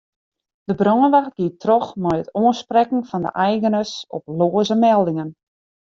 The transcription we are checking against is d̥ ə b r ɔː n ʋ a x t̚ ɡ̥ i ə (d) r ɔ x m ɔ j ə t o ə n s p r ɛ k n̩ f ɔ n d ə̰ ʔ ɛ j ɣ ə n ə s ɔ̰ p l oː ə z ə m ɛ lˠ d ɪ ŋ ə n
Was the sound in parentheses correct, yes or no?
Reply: no